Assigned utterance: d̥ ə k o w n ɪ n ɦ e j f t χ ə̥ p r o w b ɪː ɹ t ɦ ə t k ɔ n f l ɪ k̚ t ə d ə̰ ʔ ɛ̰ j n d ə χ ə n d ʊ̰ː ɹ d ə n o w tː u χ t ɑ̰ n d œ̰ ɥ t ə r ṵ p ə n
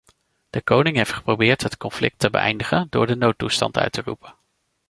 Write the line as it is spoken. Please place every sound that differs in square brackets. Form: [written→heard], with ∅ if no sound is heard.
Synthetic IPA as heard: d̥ ə k o w n ɪ [n→ŋ] ɦ e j f t χ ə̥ p r o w b ɪː ɹ t ɦ ə t k ɔ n f l ɪ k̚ t ə [d→b] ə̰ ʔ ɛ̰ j n d ə χ ə n d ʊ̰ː ɹ d ə n o w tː u [χ→s] t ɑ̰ n [d→t] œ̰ ɥ t ə r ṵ p ə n